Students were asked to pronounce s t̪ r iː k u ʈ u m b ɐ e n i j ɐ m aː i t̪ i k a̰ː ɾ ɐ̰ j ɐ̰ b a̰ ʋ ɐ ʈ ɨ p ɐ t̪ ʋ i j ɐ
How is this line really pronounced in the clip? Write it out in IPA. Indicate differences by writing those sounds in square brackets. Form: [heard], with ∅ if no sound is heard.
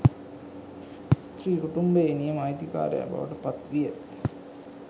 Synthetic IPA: s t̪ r iː k u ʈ u m b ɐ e n i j ɐ m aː [j] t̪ i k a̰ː ɾ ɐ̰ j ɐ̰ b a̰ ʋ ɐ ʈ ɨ p ɐ t̪ ʋ i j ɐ